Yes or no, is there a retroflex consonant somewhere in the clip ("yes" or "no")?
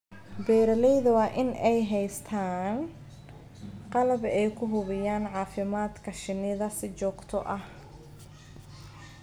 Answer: no